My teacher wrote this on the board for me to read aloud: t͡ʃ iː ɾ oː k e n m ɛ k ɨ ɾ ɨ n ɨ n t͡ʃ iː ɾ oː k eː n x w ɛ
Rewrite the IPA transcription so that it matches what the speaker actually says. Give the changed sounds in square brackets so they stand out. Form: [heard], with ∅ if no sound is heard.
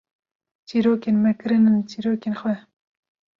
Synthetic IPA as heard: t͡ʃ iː ɾ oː k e n m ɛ k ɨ ɾ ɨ n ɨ n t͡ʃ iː ɾ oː k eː n x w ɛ